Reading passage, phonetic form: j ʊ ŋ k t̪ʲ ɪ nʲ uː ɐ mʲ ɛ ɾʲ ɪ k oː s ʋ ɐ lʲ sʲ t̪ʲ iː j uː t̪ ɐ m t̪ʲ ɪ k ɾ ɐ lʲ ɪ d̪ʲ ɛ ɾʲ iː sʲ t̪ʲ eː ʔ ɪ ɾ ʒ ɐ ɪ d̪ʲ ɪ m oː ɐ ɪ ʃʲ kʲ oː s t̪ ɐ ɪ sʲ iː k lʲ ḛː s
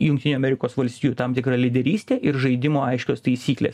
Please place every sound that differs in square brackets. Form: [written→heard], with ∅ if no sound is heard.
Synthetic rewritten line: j ʊ ŋ k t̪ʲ ɪ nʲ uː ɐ mʲ ɛ ɾʲ ɪ k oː s ʋ ɐ lʲ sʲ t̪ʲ iː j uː t̪ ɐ m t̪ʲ ɪ k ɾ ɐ lʲ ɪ d̪ʲ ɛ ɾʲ iː sʲ t̪ʲ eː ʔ ɪ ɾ ʒ ɐ ɪ d̪ʲ ɪ m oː ɐ ɪ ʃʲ kʲ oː s t̪ ɐ ɪ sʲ iː k lʲ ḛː s